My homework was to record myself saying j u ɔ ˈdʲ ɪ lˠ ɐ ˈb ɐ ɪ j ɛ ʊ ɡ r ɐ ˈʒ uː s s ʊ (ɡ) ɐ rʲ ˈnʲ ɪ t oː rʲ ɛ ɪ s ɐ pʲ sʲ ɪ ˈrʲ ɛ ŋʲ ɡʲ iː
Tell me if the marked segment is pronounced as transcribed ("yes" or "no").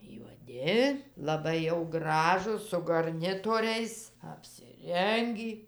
yes